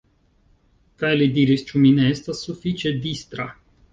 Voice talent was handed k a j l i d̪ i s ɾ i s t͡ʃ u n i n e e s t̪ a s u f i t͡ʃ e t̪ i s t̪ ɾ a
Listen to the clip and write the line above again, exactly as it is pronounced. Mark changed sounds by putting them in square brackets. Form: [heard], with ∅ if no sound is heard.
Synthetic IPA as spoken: k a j l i d̪ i [∅] ɾ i s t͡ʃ u [m] i n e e s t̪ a s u f i t͡ʃ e [d̪] i s t̪ ɾ a